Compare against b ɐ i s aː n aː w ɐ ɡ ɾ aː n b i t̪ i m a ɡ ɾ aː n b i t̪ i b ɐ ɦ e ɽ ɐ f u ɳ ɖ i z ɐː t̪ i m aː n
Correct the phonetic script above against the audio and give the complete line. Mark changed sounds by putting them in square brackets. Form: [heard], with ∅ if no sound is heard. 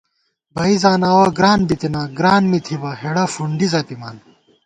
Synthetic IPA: b ɐ i [z] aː n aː w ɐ ɡ ɾ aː n b i t̪ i [n] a ɡ ɾ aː n [m] i [t̪ʰ] i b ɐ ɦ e ɽ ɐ f u ɳ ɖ i z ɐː t̪ i m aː n